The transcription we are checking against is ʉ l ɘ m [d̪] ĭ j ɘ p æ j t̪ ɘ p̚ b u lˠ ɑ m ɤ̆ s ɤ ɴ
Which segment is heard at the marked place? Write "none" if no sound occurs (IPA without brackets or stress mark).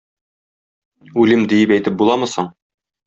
d̪